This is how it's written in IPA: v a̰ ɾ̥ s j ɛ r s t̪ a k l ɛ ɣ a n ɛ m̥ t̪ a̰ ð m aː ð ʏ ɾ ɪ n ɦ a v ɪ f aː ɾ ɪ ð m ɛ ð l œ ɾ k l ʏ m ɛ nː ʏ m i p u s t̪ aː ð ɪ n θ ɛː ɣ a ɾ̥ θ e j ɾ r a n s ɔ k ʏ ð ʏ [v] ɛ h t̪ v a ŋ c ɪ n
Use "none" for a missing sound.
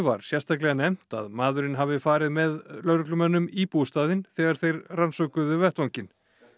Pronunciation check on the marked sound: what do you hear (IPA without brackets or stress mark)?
v